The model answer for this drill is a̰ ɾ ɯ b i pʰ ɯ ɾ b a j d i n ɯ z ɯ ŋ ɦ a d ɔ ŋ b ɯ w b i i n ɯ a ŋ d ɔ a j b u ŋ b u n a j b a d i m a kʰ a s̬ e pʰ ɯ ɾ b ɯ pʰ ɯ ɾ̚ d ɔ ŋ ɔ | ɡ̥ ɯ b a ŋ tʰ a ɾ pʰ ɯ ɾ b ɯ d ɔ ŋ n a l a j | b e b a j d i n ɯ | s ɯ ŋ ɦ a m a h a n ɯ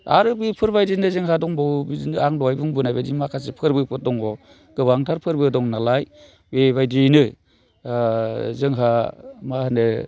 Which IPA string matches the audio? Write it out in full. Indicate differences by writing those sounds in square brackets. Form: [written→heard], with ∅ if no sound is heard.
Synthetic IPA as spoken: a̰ ɾ ɯ b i pʰ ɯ ɾ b a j d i n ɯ z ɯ ŋ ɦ a d ɔ ŋ b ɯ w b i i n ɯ a ŋ d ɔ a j b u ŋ b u n a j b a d i m a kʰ a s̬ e pʰ ɯ ɾ b ɯ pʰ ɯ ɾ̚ d ɔ ŋ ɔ | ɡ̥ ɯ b a ŋ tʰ a ɾ pʰ ɯ ɾ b ɯ d ɔ ŋ n a l a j | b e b a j d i n ɯ | [s→z] ɯ ŋ ɦ a m a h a n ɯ